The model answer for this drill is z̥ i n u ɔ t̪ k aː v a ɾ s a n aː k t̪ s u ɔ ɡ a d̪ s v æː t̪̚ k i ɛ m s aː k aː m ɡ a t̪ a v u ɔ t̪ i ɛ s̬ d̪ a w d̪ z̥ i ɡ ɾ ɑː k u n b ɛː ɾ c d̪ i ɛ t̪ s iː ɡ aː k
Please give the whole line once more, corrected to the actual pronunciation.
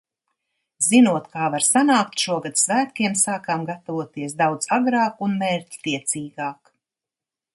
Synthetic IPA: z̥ i n u ɔ t̪ k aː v a ɾ s a n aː k t̪ ʃ u ɔ ɡ a d̪ s v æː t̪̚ k i ɛ m s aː k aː m ɡ a t̪ a v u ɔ t̪ i ɛ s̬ d̪ a w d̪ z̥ a ɡ ɾ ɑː k u n m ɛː ɾ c t̪ i ɛ t̪ s iː ɡ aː k